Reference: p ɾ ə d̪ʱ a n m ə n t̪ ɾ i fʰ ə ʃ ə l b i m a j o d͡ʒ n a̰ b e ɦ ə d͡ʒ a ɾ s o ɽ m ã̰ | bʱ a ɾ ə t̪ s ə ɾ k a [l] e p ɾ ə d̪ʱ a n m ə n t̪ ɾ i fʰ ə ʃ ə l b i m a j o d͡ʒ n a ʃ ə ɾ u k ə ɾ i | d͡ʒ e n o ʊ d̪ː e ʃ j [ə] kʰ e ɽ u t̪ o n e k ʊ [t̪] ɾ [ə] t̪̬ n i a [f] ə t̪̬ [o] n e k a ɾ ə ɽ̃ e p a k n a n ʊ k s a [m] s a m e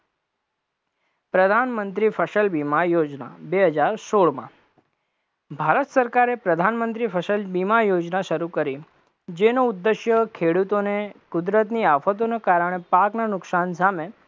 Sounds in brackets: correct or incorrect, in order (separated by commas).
incorrect, correct, incorrect, correct, correct, correct, incorrect